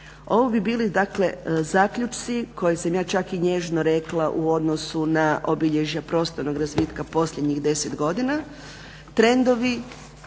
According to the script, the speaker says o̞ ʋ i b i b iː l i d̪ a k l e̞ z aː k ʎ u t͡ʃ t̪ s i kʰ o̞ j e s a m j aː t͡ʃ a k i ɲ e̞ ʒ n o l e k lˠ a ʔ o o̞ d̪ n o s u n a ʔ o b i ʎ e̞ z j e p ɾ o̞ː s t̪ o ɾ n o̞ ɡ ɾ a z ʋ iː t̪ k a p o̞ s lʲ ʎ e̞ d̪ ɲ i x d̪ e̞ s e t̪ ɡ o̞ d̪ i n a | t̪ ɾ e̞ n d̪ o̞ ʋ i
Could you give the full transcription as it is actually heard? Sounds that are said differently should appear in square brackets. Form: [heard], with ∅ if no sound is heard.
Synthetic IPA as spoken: o̞ ʋ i b i b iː l i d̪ a k l e̞ z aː k ʎ u t͡ʃ t̪ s i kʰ o̞ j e s a m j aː t͡ʃ a k i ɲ e̞ ʒ n o [ɾ] e k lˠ a ʔ [u] o̞ d̪ n o s u n a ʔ o b i ʎ e̞ [ʒ] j [a] p ɾ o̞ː s t̪ o ɾ n o̞ ɡ ɾ a z ʋ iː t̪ k a p o̞ s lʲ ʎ e̞ d̪ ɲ i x d̪ e̞ s e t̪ ɡ o̞ d̪ i n a | t̪ ɾ e̞ n d̪ o̞ ʋ i

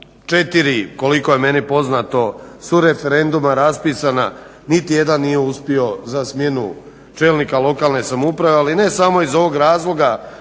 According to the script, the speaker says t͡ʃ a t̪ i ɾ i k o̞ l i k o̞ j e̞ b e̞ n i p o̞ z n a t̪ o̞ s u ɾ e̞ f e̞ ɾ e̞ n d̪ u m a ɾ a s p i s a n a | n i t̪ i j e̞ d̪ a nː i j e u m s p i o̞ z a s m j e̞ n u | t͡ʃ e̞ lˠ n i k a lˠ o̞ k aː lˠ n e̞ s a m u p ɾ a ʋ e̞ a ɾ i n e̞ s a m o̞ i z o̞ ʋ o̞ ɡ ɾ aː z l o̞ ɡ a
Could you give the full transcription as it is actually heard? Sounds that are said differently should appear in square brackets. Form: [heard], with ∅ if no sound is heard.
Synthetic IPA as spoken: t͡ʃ [e] t̪ i ɾ i k o̞ l i k o̞ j e̞ [m] e̞ n i p o̞ z n a t̪ o̞ s u ɾ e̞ f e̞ ɾ e̞ n d̪ u m a ɾ a s p i s a n a | n i t̪ i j e̞ d̪ a nː i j e u [∅] s p i o̞ z a s m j e̞ n u | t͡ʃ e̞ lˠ n i k a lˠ o̞ k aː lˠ n e̞ s a m u p ɾ a ʋ e̞ a [l] i n e̞ s a m o̞ i z o̞ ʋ o̞ ɡ ɾ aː z l o̞ ɡ a

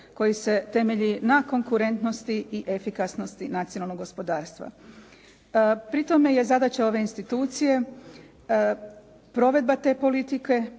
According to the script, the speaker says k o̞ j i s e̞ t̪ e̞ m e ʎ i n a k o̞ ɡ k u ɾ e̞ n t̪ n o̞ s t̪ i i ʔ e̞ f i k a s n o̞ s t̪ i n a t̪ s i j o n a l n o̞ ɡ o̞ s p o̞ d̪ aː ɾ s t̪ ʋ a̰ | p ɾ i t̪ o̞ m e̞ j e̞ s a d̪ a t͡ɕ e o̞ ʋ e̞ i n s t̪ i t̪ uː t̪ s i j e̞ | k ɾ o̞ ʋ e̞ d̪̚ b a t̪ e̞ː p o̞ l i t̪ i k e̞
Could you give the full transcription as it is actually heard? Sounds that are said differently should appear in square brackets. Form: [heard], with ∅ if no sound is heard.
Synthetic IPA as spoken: k o̞ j i s e̞ t̪ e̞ m e ʎ i n a k o̞ [ŋ] k u ɾ e̞ n t̪ n o̞ s t̪ i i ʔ e̞ f i k a s n o̞ s t̪ i n a t̪ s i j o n a l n o̞ ɡ o̞ s p o̞ d̪ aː ɾ s t̪ ʋ a̰ | p ɾ i t̪ o̞ m e̞ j e̞ [z] a d̪ a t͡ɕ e o̞ ʋ e̞ i n s t̪ i t̪ uː t̪ s i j e̞ | [p] ɾ o̞ ʋ e̞ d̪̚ b a t̪ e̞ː p o̞ l i t̪ i k e̞

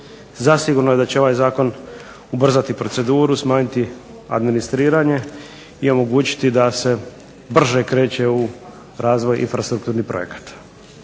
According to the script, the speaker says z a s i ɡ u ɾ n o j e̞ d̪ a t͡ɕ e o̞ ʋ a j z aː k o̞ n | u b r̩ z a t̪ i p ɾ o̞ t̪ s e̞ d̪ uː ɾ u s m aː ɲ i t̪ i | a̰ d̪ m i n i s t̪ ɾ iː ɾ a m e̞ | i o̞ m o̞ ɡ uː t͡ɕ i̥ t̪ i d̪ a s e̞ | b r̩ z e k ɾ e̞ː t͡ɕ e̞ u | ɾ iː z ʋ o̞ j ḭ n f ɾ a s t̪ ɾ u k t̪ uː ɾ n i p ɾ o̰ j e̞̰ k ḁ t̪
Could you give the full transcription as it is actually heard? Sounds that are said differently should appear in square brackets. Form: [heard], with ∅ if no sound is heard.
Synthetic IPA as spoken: z a s i ɡ u ɾ n o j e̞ d̪ a t͡ɕ e o̞ ʋ a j z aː k o̞ n | u b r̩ z a t̪ i p ɾ o̞ t̪ s e̞ d̪ uː ɾ u s m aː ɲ i t̪ i | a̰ d̪ m i n i s t̪ ɾ iː ɾ a [ɲ] e̞ | i o̞ m o̞ ɡ uː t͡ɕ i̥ t̪ i d̪ a s e̞ | b r̩ [ʒ] e k ɾ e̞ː t͡ɕ e̞ u | ɾ [aː] z ʋ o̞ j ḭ n f ɾ a s t̪ ɾ u k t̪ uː ɾ n i p ɾ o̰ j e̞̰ k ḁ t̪

